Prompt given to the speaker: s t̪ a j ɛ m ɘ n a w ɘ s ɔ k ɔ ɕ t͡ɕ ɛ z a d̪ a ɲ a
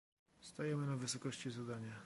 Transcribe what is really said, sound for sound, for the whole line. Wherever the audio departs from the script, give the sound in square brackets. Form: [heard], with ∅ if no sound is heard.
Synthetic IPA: s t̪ a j ɛ m ɘ n a [v] ɘ s ɔ k ɔ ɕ t͡ɕ [i] z a d̪ a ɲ a